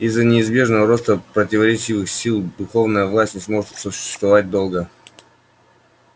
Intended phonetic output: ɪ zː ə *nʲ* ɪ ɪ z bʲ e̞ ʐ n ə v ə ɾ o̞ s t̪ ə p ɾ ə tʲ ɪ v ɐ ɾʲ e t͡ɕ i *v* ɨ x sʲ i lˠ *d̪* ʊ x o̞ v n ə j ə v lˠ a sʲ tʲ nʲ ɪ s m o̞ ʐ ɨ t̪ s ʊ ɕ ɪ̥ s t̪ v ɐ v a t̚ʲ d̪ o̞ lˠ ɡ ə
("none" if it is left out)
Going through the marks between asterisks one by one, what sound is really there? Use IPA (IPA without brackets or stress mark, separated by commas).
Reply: nʲ, v, d̪